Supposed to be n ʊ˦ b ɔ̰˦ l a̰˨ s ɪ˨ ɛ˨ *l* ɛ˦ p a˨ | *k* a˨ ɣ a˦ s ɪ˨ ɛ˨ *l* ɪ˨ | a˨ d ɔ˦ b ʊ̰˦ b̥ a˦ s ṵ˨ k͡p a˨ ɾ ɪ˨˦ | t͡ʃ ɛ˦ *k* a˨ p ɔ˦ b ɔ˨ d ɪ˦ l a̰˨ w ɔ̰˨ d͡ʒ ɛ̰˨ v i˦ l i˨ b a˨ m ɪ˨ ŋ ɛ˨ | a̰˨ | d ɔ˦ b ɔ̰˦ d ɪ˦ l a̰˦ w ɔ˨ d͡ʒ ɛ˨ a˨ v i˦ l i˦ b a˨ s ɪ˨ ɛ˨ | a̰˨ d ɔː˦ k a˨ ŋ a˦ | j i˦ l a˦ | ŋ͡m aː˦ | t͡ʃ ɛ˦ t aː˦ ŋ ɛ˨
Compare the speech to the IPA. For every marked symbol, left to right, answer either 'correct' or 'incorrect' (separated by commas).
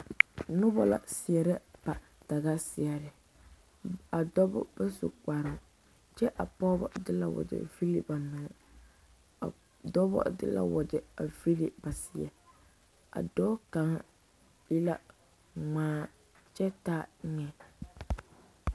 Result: incorrect, incorrect, incorrect, incorrect